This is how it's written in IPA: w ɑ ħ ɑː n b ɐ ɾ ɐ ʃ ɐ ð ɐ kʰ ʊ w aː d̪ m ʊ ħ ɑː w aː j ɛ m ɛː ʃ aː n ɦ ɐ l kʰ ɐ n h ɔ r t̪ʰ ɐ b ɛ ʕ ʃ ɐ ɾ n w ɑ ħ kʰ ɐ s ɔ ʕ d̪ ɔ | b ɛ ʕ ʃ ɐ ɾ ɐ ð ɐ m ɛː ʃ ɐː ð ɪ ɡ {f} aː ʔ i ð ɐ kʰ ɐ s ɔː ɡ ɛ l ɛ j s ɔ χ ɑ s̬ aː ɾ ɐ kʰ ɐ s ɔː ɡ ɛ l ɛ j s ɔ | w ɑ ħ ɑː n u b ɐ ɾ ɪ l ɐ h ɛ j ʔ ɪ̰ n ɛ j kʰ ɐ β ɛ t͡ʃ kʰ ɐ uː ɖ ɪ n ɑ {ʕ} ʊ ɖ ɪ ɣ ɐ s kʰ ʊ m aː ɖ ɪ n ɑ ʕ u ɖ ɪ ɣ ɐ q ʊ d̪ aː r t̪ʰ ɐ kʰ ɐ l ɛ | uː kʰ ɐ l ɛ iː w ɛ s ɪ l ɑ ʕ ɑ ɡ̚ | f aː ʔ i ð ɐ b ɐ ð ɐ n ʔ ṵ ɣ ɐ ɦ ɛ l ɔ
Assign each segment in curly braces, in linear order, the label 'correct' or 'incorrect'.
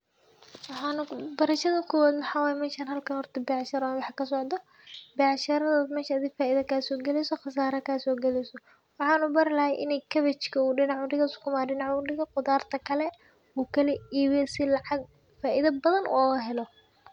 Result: correct, correct

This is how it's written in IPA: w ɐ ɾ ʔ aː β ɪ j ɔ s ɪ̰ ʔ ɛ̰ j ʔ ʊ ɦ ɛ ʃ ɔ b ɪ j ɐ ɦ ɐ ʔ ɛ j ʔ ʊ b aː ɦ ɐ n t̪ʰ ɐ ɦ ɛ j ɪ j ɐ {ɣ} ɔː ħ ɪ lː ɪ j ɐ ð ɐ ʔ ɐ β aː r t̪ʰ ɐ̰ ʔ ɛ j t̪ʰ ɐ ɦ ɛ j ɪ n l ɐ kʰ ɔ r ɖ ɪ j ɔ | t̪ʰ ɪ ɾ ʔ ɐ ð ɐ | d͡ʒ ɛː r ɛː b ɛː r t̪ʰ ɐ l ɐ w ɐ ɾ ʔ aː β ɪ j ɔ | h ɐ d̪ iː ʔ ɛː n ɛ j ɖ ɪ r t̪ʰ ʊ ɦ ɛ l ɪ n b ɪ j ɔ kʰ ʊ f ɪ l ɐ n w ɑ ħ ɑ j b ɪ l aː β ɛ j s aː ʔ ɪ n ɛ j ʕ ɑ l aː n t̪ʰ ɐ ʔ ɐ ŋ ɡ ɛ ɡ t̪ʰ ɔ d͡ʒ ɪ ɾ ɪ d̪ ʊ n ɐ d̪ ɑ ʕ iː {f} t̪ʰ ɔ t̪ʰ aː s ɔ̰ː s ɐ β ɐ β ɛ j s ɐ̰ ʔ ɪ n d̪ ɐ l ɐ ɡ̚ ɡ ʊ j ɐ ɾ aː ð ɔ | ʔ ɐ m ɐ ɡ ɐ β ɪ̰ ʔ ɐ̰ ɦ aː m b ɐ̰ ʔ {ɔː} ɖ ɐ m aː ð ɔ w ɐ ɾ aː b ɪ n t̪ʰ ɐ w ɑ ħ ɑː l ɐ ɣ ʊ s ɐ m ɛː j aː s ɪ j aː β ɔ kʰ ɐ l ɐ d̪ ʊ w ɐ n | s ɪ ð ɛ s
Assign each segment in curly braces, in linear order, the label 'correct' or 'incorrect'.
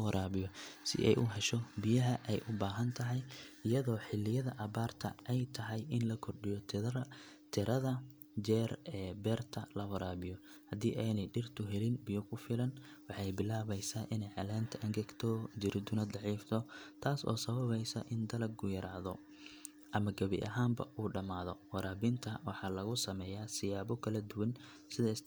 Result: incorrect: ð, correct, incorrect: uː

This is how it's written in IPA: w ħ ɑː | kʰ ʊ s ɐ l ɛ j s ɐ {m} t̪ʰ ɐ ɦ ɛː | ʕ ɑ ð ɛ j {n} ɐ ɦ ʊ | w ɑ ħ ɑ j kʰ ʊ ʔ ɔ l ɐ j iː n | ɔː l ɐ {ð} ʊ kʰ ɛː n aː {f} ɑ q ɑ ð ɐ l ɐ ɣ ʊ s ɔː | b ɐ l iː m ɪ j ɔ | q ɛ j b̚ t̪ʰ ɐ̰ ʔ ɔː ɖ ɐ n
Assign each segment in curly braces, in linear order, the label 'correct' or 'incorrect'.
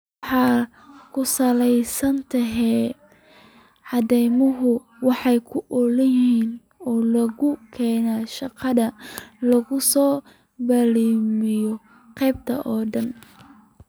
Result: incorrect: n, incorrect: m, incorrect: ɣ, incorrect: ʃ

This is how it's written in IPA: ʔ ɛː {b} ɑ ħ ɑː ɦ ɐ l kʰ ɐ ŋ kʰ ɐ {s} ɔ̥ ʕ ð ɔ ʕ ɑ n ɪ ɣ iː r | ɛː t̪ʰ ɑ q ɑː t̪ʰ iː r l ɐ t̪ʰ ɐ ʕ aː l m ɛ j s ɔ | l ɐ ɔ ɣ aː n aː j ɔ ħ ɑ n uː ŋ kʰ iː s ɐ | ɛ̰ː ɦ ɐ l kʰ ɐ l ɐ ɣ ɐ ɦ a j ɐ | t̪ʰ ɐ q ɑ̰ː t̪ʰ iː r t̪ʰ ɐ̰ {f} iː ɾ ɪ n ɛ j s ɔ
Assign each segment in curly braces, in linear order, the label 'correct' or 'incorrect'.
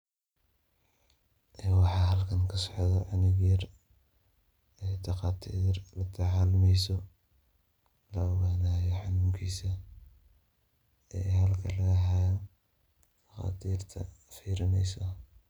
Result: incorrect: w, correct, correct

